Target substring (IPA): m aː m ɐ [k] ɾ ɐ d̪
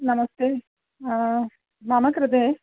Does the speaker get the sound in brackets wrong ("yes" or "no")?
no